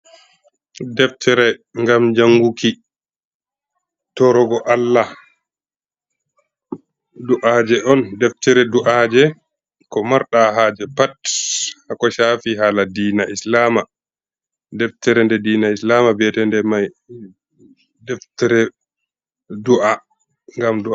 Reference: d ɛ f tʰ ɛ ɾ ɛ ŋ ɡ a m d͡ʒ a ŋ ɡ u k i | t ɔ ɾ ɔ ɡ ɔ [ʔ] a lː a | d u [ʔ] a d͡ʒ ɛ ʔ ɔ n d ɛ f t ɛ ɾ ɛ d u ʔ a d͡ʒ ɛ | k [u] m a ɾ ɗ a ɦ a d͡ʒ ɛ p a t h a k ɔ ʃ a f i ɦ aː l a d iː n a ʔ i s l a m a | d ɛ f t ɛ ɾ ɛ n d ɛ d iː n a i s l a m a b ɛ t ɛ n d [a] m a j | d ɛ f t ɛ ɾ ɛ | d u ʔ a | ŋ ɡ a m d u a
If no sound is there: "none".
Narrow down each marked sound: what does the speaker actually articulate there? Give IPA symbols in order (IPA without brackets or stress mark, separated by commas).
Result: ʔ, ʔ, ɔ, ɛ